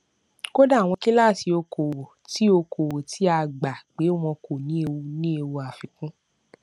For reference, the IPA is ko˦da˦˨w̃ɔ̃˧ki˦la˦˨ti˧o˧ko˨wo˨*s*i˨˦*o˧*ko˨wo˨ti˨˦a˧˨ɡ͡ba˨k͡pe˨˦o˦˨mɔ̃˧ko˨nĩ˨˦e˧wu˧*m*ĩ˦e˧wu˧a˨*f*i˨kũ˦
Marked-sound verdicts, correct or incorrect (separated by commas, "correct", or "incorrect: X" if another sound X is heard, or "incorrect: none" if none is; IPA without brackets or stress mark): incorrect: t, correct, incorrect: n, correct